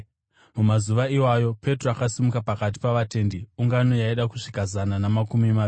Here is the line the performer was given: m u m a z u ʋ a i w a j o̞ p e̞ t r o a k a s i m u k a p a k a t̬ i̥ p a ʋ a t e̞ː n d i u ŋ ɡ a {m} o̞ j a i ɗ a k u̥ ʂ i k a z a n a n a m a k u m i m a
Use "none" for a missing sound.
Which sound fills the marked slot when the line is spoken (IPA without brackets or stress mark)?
n